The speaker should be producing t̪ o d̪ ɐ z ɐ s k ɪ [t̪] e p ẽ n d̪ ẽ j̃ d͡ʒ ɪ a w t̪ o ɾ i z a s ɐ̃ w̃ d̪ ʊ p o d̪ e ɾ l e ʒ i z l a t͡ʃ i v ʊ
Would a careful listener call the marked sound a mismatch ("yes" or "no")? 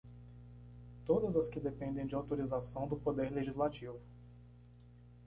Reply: yes